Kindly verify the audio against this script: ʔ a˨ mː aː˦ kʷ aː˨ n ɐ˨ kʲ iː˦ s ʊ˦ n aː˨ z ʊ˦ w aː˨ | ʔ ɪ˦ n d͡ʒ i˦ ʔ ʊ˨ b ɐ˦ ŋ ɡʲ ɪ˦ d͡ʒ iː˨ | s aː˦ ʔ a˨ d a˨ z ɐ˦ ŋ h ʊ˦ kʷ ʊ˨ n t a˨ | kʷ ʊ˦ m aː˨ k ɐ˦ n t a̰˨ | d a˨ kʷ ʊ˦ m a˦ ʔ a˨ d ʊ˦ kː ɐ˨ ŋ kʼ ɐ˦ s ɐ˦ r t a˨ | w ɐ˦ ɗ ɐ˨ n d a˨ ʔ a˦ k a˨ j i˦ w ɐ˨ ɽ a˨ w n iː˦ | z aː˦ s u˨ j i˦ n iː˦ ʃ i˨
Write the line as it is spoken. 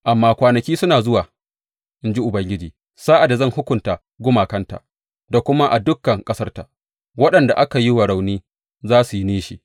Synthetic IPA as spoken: ʔ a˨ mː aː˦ kʷ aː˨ n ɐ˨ kʲ iː˦ s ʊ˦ n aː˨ z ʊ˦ w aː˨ | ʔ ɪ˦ n d͡ʒ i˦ ʔ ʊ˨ b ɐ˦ ŋ ɡʲ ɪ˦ d͡ʒ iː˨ | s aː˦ ʔ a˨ d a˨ z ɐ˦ ŋ h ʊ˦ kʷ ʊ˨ n t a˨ | ɡʷ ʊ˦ m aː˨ k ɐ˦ n t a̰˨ | d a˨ kʷ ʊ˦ m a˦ ʔ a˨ d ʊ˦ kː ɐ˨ ŋ kʼ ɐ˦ s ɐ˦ r t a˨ | w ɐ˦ ɗ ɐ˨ n d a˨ ʔ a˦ k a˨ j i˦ w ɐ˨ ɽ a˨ w n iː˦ | z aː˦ s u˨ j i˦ n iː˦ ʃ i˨